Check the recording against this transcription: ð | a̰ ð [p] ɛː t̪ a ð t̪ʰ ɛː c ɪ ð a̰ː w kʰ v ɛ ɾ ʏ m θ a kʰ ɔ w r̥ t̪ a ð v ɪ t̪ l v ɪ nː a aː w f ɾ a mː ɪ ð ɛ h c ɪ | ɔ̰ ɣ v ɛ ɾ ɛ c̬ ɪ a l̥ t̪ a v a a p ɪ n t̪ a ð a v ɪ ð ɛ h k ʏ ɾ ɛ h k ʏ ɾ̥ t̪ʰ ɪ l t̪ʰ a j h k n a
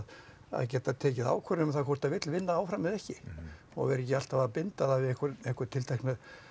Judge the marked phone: incorrect: c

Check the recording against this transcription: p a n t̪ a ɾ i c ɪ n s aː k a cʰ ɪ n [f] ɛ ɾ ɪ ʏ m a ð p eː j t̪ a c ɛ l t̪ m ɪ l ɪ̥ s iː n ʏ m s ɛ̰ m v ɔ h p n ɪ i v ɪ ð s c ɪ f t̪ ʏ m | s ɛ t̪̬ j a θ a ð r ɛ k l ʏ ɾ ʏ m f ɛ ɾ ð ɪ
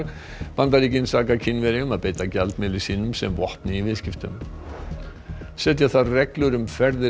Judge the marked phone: incorrect: v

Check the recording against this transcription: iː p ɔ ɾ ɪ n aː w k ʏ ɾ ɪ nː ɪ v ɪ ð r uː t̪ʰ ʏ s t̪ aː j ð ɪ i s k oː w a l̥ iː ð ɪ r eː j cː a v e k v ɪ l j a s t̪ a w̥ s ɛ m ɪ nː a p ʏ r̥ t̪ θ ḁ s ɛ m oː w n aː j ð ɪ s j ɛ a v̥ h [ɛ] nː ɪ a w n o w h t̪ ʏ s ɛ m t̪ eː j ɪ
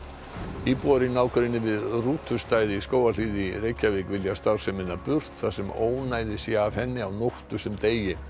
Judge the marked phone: correct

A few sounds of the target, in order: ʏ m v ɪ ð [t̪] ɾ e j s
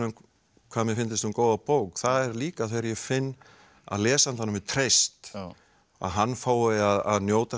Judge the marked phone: incorrect: t̪ʰ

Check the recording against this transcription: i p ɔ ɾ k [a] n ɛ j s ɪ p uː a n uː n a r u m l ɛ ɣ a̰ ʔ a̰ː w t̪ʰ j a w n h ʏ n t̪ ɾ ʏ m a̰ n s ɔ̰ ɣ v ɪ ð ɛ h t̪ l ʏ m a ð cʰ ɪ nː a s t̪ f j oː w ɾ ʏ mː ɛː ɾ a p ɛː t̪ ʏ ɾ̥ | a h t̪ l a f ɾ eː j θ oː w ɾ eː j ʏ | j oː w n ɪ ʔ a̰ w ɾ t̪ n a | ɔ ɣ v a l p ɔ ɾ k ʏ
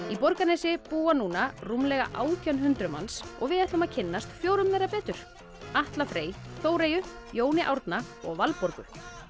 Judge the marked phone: correct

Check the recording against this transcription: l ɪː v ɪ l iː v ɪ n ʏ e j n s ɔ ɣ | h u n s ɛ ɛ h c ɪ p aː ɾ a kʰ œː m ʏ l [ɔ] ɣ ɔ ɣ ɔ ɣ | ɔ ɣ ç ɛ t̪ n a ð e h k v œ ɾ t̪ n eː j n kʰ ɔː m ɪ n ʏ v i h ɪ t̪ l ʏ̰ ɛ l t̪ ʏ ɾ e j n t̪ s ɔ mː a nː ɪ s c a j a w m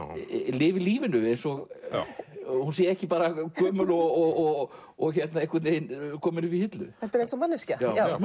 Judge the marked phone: correct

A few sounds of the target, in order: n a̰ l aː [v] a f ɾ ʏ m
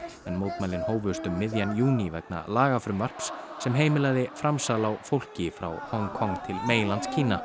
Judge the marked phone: incorrect: ɣ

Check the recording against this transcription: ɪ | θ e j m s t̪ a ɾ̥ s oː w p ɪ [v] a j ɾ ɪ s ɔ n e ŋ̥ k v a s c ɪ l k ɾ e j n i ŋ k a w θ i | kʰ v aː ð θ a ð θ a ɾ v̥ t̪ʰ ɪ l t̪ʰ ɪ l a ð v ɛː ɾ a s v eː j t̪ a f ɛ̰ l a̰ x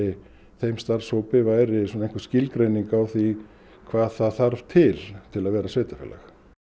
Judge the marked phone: correct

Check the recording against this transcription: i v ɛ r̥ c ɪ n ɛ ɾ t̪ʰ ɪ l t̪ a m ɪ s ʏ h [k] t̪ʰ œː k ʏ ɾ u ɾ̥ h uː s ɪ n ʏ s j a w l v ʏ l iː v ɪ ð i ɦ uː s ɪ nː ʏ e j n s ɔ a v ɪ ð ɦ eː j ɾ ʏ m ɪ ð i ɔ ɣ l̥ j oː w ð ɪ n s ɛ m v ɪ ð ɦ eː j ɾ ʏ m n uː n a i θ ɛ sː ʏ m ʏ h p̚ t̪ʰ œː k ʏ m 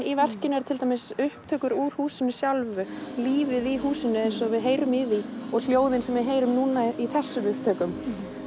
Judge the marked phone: incorrect: p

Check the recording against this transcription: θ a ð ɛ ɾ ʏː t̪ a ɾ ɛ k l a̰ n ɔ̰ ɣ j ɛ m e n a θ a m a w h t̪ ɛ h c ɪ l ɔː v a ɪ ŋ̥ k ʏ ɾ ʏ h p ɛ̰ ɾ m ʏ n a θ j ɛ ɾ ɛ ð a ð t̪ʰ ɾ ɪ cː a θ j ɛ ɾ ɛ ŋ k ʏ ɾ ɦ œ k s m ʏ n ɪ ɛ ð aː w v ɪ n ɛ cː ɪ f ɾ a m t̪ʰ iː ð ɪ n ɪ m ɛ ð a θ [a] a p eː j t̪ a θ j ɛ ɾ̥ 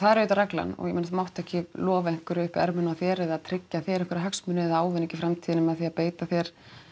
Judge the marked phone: incorrect: i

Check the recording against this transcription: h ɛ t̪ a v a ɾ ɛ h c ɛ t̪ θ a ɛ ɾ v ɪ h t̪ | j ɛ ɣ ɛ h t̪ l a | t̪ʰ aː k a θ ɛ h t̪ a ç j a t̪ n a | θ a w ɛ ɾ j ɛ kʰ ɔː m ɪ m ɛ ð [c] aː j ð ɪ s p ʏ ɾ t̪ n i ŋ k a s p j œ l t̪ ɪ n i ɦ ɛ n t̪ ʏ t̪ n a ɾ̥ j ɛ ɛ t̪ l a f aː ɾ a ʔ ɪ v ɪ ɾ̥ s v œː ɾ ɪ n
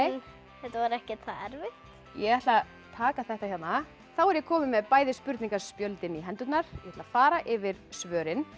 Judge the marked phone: incorrect: p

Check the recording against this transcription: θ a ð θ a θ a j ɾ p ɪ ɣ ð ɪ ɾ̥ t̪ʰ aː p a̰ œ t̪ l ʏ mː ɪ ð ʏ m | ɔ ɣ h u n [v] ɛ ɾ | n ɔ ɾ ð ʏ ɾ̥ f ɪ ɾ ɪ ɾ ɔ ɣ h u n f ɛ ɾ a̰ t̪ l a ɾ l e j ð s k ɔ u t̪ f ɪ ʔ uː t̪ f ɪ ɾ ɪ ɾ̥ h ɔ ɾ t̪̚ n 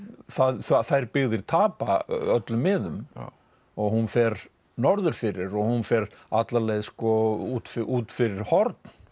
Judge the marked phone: incorrect: f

